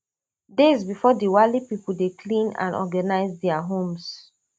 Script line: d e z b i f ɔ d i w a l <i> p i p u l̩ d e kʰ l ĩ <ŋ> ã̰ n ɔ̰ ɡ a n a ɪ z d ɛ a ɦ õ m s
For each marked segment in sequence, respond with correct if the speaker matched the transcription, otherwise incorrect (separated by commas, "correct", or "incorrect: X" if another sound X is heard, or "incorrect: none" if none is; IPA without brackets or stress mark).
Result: correct, incorrect: n